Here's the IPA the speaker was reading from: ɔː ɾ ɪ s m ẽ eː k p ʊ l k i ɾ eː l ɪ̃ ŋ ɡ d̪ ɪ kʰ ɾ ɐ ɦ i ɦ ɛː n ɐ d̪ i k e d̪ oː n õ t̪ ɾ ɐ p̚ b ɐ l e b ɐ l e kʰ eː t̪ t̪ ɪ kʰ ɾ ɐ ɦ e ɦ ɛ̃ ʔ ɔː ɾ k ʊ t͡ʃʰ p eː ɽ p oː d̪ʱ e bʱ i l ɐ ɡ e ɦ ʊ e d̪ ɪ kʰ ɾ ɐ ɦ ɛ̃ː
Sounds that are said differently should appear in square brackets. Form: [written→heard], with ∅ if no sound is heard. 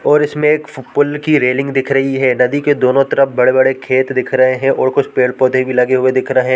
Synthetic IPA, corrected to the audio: ɔː ɾ ɪ s m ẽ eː k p ʊ l k i ɾ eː l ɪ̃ ŋ ɡ d̪ ɪ kʰ ɾ ɐ ɦ i ɦ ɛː n ɐ d̪ i k e d̪ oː n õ t̪ ɾ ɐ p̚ b ɐ [l→ɽ] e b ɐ [l→ɽ] e kʰ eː t̪ [t̪→d̪] ɪ kʰ ɾ ɐ ɦ e ɦ ɛ̃ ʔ ɔː ɾ k ʊ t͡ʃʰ p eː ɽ p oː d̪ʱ e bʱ i l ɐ ɡ e ɦ ʊ e d̪ ɪ kʰ ɾ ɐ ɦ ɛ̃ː